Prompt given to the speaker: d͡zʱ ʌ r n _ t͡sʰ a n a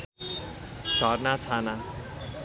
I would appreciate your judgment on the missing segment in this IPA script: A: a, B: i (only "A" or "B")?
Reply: A